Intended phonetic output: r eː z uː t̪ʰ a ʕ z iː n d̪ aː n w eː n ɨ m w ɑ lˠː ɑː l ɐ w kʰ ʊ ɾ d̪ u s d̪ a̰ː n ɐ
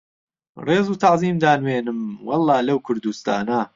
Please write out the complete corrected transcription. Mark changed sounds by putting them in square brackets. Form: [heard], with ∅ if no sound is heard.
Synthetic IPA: r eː z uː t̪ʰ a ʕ z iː [m] d̪ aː n w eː n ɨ m w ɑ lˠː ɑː l ɐ w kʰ ʊ ɾ d̪ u s [t̪] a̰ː n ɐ